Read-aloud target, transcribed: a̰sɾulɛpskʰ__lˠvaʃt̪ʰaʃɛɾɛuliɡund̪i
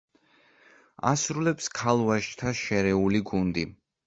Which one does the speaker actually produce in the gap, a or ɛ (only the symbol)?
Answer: a